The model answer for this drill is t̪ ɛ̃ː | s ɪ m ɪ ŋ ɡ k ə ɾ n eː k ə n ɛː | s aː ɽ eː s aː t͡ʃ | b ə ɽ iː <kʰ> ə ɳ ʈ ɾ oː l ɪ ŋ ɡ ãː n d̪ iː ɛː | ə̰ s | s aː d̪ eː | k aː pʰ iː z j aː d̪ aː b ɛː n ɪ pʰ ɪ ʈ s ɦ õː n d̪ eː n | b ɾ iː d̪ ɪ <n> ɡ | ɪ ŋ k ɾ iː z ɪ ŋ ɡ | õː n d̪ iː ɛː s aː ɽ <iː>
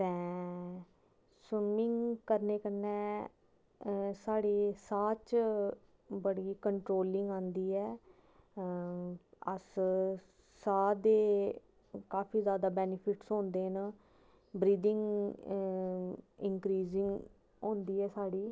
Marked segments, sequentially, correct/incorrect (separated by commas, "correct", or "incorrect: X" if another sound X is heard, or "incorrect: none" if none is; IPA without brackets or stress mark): incorrect: k, incorrect: ŋ, correct